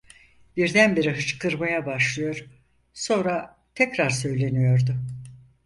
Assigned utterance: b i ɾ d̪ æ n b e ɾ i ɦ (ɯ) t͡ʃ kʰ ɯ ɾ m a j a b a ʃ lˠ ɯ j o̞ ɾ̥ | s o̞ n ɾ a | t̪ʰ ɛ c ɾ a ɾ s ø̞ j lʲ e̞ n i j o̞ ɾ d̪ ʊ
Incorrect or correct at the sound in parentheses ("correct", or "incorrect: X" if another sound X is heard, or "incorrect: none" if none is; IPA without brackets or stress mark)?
correct